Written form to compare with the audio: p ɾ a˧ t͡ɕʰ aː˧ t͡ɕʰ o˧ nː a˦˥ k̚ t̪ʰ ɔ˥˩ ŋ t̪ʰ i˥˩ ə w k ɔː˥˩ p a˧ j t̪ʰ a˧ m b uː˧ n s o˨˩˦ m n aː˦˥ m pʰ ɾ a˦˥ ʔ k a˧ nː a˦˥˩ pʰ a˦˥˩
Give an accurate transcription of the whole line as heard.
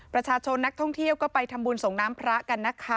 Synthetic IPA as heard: p ɾ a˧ t͡ɕʰ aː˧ t͡ɕʰ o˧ nː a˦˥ k̚ t̪ʰ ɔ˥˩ ŋ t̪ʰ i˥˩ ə w k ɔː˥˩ p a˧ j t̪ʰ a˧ m b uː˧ n s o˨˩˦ ŋ n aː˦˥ m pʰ ɾ a˦˥ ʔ k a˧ nː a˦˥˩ kʰ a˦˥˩